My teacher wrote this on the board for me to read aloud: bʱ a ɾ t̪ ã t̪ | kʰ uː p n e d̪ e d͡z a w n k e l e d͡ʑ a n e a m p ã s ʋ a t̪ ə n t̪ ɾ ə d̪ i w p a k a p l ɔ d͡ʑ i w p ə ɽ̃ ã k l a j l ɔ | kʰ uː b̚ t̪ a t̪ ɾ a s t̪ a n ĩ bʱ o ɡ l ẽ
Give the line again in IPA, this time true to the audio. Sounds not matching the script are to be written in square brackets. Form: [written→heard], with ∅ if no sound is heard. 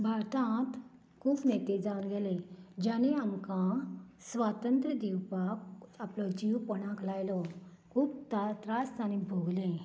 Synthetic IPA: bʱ a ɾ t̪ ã t̪ | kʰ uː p n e [d̪→t̪] e d͡z a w n [k→ɡ] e l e d͡ʑ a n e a m [p→k] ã s ʋ a t̪ ə n t̪ ɾ ə d̪ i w p a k a p l ɔ d͡ʑ i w p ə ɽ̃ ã k l a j l ɔ | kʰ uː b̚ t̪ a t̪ ɾ a s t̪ a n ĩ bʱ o ɡ l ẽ